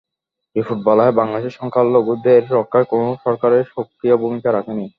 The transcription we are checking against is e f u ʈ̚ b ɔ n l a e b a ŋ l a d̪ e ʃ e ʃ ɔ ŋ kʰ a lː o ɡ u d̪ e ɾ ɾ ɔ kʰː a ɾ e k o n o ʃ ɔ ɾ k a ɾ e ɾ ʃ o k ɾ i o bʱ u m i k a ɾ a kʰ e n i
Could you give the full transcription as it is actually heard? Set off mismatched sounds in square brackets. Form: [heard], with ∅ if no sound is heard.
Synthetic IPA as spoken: e f u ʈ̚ b ɔ [∅] l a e b a ŋ l a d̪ e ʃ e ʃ ɔ ŋ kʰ a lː o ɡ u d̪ e ɾ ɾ ɔ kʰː a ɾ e k o n o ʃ ɔ ɾ k a ɾ e ɾ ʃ o k ɾ i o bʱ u m i k a ɾ a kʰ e n i